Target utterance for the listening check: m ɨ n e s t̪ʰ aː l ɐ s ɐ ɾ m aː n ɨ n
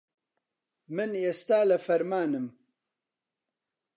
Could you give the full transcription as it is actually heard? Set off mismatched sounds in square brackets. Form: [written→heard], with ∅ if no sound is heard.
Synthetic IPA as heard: m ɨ n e s [t̪ʰ→t̪] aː l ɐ [s→f] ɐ ɾ m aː n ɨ [n→m]